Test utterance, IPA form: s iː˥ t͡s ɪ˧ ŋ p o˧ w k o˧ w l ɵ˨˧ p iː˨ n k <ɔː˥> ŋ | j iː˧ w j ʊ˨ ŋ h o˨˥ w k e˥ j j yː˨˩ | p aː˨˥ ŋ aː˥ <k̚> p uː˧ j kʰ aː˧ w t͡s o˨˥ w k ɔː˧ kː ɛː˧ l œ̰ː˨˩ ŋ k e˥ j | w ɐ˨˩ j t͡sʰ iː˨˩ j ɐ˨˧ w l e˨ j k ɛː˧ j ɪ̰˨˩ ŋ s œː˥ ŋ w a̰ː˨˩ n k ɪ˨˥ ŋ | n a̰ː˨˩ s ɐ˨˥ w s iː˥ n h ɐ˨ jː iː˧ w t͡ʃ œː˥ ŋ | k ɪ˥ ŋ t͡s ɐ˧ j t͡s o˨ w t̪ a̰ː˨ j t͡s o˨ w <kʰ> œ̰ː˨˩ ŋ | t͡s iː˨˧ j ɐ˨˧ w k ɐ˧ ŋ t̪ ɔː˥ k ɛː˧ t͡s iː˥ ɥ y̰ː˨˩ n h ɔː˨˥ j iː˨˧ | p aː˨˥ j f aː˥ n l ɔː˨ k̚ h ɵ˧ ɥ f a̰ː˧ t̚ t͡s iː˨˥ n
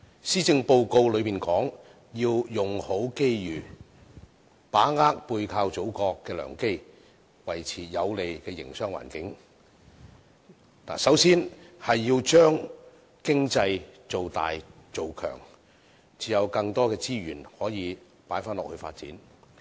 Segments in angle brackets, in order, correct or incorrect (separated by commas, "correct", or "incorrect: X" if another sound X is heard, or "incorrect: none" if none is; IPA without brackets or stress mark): incorrect: ɔː˨˥, correct, correct